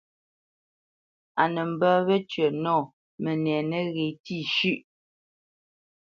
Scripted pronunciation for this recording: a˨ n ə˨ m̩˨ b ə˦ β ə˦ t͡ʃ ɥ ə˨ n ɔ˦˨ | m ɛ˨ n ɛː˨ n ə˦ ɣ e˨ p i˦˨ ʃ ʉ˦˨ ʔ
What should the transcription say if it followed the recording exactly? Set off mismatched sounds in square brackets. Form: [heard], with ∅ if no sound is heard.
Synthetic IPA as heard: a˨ n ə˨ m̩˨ b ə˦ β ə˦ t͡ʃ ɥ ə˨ n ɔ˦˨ | m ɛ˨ n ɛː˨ n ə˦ ɣ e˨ [t] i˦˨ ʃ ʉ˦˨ ʔ